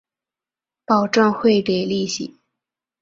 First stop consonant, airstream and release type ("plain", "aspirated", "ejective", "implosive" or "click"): plain